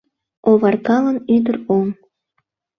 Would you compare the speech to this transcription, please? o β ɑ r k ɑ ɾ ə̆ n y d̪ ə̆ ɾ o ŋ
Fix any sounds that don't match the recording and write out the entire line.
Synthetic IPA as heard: o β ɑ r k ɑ l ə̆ n y d̪ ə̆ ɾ o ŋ